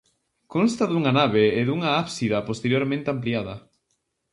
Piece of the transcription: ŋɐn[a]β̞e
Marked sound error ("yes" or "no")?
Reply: no